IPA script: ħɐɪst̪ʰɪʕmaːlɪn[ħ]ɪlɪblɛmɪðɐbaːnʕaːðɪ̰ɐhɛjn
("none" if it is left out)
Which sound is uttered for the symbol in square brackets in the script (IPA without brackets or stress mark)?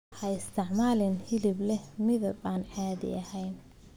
h